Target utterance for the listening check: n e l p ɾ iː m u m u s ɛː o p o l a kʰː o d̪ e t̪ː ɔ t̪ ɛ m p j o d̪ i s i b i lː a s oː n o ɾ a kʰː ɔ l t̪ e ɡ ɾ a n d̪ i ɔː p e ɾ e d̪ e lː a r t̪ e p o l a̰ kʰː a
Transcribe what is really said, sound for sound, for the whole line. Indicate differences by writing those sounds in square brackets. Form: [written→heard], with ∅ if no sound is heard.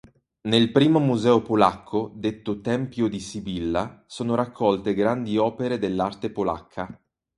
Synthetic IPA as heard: n e l p ɾ iː m [u→o] m u [s→z] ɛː o p o l a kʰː o d̪ e t̪ː [ɔ→o] t̪ ɛ m p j o d̪ i s i b i lː a s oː n o ɾ a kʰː ɔ l t̪ e ɡ ɾ a n d̪ i ɔː p e ɾ e d̪ e lː a r t̪ e p o l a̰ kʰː a